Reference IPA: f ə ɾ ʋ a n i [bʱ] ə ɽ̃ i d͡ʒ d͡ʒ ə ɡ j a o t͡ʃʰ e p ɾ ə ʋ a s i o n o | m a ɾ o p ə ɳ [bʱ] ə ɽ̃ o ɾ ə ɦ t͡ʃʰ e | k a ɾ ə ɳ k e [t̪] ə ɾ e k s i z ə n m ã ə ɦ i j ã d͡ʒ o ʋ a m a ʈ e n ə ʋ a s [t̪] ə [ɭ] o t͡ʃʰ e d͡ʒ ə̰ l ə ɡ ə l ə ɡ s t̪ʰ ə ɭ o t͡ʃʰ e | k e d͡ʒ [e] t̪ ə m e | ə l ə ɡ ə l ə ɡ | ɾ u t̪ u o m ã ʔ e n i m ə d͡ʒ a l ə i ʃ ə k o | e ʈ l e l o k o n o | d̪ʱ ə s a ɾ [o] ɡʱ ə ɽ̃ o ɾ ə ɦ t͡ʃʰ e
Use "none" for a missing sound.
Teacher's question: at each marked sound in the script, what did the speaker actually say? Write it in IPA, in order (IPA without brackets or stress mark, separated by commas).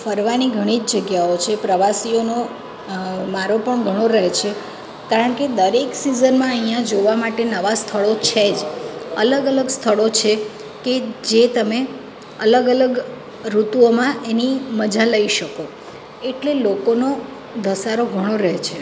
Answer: ɡʱ, ɡʱ, d̪, t̪ʰ, ɭ, e, o